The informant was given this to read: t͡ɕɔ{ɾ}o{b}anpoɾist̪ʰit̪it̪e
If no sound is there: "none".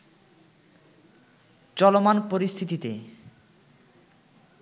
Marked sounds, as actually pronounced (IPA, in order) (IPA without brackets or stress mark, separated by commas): l, m